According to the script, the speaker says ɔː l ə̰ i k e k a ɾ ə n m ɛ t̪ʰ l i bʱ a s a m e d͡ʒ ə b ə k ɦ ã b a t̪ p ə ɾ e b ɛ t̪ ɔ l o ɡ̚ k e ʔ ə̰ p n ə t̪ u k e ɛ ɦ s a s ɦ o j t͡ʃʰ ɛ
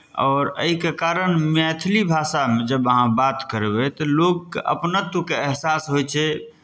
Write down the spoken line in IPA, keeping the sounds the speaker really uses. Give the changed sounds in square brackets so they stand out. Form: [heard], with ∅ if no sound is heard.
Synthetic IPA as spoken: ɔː [ɾ] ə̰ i k e k a ɾ ə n m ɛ t̪ʰ l i bʱ a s a m e d͡ʒ ə b ə [∅] ɦ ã b a t̪ [k] ə ɾ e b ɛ t̪ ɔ l o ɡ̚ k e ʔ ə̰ p n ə t̪ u k e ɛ ɦ s a s ɦ o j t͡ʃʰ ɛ